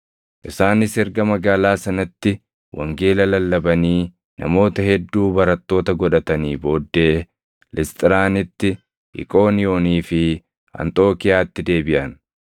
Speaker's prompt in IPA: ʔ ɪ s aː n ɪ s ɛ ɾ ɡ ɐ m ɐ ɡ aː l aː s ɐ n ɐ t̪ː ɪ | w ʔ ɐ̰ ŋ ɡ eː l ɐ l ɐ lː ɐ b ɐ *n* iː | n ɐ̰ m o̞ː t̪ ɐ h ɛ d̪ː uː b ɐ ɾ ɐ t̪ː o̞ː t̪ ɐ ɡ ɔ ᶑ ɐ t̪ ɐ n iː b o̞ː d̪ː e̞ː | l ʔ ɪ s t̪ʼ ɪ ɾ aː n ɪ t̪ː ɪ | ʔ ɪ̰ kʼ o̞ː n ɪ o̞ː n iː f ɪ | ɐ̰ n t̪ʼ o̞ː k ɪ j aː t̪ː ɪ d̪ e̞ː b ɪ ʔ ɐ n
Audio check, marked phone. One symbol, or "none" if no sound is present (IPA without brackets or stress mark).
n